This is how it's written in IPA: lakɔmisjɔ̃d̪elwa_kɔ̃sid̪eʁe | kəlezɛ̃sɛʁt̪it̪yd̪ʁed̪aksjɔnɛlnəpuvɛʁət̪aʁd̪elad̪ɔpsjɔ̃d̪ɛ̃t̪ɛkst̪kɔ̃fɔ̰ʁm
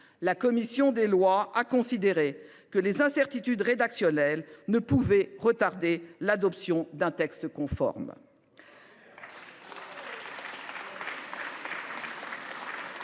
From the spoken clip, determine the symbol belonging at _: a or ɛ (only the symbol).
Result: a